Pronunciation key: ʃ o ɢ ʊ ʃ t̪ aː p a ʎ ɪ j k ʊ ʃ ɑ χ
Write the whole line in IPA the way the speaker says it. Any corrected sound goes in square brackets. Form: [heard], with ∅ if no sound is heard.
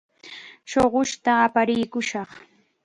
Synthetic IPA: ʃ o ɢ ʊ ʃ t̪ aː p a [ɾ] ɪ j k ʊ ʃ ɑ χ